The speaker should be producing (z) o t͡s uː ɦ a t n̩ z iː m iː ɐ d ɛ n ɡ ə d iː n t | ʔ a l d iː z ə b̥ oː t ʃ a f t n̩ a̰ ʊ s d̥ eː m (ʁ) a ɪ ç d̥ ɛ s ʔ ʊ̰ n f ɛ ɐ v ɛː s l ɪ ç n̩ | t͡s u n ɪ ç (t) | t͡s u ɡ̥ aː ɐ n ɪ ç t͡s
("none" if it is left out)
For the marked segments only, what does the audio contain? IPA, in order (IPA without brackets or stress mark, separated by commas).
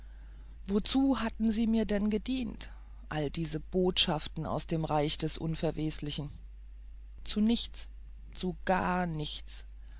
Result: v, ʁ, t͡s